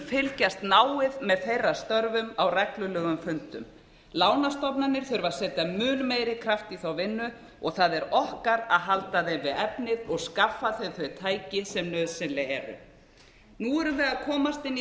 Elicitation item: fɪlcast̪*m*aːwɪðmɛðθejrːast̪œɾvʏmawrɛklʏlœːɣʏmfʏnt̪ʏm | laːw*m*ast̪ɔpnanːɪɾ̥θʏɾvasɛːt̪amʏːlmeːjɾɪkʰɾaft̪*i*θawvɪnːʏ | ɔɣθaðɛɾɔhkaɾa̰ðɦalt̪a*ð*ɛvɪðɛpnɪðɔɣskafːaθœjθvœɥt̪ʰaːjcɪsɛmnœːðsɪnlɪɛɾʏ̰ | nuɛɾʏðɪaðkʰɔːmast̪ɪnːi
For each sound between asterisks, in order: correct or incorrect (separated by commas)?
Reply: incorrect, incorrect, correct, correct